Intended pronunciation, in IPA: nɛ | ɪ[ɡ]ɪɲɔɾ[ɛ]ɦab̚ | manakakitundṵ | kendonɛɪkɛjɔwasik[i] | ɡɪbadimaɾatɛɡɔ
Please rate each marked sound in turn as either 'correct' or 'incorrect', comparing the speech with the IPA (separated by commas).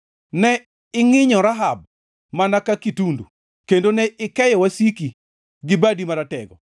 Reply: incorrect, incorrect, correct